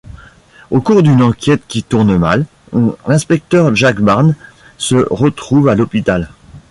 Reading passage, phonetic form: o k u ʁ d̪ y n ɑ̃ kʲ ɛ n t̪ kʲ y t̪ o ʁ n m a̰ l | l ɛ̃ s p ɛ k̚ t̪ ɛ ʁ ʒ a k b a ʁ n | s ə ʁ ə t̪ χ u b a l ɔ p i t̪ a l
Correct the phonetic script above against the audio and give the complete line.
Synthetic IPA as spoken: o k u ʁ d̪ y n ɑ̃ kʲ ɛ t̪ kʲ i t̪ u ʁ n m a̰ l | l ɛ̃ s p ɛ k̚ t̪ œ ʁ ʒ a k b a ʁ n | s ə ʁ ə t̪ χ u v a l ɔ p i t̪ a l